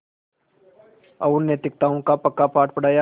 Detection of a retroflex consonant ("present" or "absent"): present